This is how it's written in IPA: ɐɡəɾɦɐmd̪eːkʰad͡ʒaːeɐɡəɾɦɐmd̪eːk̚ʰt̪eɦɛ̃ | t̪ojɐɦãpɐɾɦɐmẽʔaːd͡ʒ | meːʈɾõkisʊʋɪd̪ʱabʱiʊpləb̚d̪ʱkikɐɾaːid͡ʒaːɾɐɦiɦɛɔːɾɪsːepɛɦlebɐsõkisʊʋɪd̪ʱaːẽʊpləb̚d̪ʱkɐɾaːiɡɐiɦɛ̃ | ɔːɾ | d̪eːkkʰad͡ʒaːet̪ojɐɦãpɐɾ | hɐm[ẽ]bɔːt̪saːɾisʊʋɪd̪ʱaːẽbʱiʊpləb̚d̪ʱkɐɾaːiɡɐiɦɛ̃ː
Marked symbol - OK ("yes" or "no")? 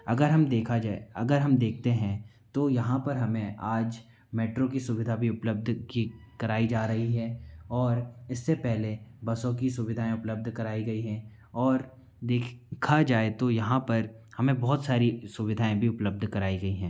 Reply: yes